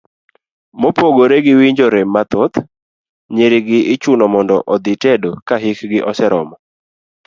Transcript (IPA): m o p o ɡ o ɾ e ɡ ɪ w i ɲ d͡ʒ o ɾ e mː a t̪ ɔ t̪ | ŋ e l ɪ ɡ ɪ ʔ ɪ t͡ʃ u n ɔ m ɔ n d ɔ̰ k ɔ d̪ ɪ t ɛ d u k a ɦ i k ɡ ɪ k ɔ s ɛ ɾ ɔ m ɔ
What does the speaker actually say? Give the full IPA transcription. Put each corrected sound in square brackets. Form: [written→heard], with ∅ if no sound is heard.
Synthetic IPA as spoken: m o p o ɡ o ɾ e ɡ ɪ w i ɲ d͡ʒ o ɾ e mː a t̪ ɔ t̪ | [ŋ→ɲ] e [l→ɾ] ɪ ɡ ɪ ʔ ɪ t͡ʃ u n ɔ m ɔ n d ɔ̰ [k→ʔ] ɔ d̪ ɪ t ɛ d [u→o] k a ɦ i k ɡ ɪ [k→ʔ] ɔ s ɛ ɾ ɔ m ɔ